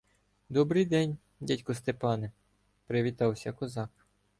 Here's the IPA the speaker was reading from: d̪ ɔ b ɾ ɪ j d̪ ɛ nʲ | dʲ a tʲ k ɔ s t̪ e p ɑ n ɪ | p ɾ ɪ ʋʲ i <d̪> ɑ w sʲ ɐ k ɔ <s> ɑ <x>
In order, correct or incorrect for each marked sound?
incorrect: t̪, incorrect: z, incorrect: k

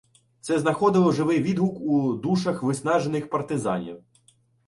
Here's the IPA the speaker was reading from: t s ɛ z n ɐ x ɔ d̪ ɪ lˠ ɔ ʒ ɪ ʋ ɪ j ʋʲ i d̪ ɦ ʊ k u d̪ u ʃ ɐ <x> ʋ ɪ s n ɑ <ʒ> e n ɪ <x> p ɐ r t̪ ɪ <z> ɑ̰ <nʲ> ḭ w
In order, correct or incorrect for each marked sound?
correct, correct, correct, correct, correct

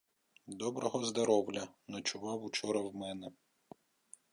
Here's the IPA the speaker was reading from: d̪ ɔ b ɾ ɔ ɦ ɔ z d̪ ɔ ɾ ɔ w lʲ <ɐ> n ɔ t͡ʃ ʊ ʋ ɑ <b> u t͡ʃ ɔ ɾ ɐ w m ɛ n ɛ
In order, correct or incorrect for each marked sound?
correct, incorrect: w

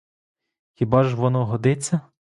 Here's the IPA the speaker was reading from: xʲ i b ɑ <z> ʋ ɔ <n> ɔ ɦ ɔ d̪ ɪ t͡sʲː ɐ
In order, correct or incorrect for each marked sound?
incorrect: ʒ, correct

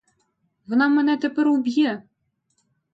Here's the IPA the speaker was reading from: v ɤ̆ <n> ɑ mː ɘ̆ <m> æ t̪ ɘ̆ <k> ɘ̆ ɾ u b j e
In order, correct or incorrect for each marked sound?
correct, incorrect: n, incorrect: p

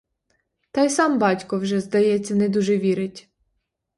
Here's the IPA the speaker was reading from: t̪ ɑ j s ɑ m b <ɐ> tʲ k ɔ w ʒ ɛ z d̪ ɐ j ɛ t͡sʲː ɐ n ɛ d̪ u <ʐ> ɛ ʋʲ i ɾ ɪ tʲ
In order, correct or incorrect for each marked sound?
incorrect: ɑ, incorrect: ʒ

